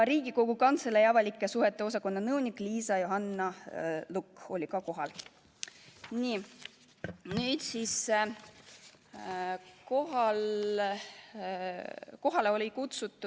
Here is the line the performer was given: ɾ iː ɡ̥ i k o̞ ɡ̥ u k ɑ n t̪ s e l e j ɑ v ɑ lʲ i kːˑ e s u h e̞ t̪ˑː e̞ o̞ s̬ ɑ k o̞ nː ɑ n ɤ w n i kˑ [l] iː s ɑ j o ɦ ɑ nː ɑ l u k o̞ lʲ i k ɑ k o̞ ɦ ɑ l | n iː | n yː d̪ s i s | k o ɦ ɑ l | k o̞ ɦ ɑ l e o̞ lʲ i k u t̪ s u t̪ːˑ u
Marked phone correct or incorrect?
correct